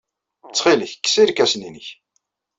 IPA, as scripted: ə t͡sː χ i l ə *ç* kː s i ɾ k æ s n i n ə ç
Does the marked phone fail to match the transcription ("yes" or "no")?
no